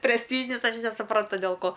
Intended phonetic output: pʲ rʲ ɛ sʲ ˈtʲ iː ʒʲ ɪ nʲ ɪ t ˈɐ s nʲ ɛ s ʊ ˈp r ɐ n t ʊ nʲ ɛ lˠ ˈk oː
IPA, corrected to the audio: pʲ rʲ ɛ sʲ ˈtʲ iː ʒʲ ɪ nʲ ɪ s ˈɐ ʃ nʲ ɛ s ʊ ˈp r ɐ n t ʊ dʲ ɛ lˠ ˈk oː